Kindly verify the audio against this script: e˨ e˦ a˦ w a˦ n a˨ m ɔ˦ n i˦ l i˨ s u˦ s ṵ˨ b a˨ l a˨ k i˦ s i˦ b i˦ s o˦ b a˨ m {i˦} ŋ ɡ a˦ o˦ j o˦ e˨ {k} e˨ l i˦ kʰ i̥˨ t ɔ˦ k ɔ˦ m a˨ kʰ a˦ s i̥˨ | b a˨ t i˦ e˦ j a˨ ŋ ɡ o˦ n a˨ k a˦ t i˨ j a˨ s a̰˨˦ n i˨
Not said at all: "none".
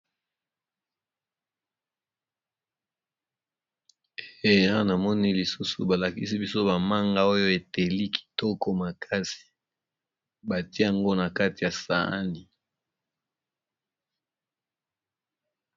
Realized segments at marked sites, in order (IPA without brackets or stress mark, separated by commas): a˦, t